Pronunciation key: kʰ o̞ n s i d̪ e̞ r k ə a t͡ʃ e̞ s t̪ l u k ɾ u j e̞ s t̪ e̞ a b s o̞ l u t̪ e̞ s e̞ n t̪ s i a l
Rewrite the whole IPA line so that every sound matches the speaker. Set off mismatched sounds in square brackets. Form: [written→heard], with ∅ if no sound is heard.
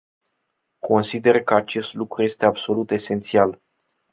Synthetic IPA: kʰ o̞ n s i d̪ e̞ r k ə a t͡ʃ e̞ s t̪ l u k ɾ u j e̞ s t̪ e̞ a b s o̞ l u t̪ e̞ s e̞ n t̪ s i a l